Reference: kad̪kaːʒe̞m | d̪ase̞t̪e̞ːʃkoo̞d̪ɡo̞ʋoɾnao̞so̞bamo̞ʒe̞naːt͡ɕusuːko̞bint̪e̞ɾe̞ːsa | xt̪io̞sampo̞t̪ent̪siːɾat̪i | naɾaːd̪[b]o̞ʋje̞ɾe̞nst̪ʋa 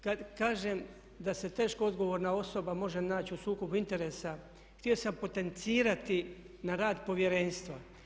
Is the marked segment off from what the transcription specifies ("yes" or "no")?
yes